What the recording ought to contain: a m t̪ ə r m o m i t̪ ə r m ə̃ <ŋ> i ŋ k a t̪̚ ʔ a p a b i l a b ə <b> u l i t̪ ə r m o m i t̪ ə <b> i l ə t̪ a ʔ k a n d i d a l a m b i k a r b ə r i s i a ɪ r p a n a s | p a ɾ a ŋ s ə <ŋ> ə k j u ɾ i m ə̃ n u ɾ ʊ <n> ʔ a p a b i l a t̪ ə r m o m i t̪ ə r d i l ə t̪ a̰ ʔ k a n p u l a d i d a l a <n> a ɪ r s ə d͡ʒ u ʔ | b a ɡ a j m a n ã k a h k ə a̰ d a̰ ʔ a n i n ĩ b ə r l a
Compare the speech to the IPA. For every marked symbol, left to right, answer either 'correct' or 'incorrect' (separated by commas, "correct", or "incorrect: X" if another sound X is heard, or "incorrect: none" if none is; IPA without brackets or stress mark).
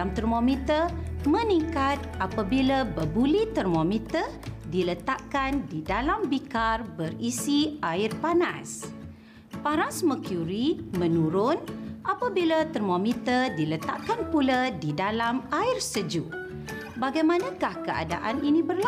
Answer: incorrect: n, correct, incorrect: d, incorrect: m, correct, incorrect: m